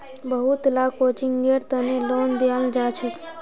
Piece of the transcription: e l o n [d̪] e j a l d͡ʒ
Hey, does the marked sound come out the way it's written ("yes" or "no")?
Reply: yes